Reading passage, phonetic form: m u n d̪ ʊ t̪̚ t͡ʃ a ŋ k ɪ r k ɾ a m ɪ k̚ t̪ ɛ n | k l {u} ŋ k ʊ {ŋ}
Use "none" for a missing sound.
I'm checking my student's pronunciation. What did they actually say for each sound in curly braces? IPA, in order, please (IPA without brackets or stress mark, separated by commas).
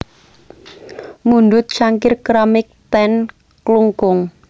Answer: u, ŋ